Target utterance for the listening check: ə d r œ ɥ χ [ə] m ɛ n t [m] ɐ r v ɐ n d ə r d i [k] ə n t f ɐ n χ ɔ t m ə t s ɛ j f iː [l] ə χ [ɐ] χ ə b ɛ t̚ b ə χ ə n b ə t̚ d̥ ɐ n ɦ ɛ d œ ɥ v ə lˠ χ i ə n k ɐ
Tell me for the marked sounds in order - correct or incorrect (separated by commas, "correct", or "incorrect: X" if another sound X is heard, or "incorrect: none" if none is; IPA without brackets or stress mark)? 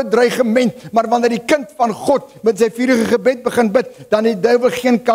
correct, correct, correct, incorrect: ɾ, incorrect: ə